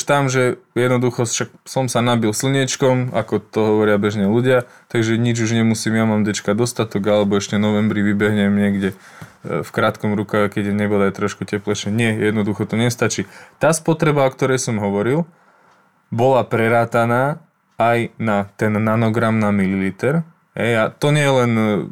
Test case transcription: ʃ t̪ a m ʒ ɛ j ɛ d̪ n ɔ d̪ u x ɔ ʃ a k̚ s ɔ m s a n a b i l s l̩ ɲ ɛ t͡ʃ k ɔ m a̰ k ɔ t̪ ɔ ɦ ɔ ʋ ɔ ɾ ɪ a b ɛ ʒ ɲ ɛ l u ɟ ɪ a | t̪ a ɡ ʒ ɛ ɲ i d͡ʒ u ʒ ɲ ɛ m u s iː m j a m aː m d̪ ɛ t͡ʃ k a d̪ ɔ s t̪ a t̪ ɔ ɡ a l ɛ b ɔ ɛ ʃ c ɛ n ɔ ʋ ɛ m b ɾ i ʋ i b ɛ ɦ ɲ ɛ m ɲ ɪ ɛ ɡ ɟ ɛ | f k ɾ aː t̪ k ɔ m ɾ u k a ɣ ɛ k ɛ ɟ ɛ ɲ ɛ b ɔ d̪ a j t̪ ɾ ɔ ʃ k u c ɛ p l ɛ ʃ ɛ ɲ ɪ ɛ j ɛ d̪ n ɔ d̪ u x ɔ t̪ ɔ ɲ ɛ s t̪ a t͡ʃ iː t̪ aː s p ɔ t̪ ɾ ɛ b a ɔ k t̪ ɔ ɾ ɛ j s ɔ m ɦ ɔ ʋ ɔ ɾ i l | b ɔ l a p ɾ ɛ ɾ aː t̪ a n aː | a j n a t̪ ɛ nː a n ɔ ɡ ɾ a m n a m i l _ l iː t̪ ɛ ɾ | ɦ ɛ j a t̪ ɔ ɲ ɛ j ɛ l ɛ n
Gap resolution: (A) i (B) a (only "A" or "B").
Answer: A